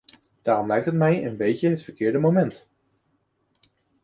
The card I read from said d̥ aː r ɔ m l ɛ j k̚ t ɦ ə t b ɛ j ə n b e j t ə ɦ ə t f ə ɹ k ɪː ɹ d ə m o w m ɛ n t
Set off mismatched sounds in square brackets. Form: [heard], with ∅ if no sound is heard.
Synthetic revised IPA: d̥ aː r ɔ m l ɛ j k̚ t ɦ ə t [m] ɛ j ə n b e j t ə ɦ ə t f ə ɹ k ɪː ɹ d ə m o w m ɛ n t